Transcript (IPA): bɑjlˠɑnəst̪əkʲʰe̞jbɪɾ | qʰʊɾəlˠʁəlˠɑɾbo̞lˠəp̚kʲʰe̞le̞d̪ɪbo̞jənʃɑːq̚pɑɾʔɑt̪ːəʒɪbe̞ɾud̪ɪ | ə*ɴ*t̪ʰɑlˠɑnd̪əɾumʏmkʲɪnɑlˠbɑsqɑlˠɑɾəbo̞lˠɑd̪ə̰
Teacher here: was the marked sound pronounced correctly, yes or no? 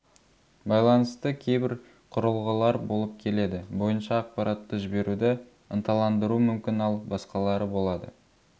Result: no